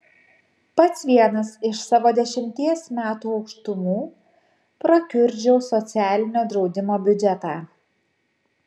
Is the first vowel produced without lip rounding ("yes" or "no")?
yes